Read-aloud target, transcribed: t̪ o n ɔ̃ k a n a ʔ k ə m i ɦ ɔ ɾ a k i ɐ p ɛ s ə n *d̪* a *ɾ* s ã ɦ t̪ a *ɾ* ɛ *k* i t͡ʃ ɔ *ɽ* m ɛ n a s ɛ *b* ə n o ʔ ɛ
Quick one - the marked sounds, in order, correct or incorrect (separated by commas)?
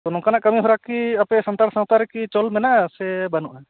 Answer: incorrect, correct, correct, correct, incorrect, correct